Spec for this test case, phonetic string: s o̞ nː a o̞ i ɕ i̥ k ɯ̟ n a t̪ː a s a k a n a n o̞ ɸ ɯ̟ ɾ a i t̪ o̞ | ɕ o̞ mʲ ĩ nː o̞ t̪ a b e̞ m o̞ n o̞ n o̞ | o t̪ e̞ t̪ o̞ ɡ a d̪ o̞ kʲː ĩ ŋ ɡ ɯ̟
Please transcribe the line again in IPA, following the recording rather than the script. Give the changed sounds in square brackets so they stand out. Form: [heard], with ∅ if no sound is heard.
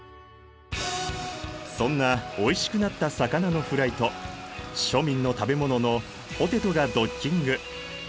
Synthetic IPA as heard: s [õ̞] nː a o̞ i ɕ i̥ k ɯ̟ n a t̪ː a s a k a n a n o̞ ɸ ɯ̟ ɾ a i t̪ o̞ | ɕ o̞ mʲ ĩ nː o̞ t̪ a b e̞ m o̞ n o̞ n o̞ | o t̪ e̞ t̪ o̞ ɡ a d̪ o̞ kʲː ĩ ŋ ɡ ɯ̟